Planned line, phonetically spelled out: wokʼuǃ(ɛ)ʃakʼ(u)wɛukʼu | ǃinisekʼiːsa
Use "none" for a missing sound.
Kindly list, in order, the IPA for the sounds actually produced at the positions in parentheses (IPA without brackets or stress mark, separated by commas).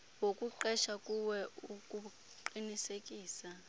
ɛ, u